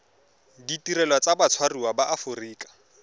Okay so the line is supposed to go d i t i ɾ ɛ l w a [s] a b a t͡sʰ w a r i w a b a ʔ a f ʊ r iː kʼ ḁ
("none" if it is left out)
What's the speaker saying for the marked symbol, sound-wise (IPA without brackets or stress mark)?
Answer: t͡s